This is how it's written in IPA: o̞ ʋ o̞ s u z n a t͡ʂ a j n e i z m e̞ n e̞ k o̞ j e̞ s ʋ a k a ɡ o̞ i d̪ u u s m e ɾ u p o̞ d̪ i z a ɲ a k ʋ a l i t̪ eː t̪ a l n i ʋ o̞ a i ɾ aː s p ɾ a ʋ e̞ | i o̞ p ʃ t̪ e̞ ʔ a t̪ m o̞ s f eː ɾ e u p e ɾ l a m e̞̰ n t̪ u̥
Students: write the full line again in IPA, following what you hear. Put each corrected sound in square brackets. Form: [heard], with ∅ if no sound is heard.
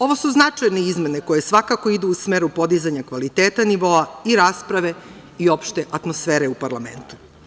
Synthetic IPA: o̞ ʋ o̞ s u z n a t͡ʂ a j n e i z m e̞ n e̞ k o̞ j e̞ s ʋ a k a [k] o̞ i d̪ u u s m e ɾ u p o̞ d̪ i z a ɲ a k ʋ a l i t̪ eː t̪ a [∅] n i ʋ o̞ a i ɾ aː s p ɾ a ʋ e̞ | i o̞ p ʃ t̪ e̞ ʔ a t̪ m o̞ s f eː ɾ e u p [a] ɾ l a m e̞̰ n t̪ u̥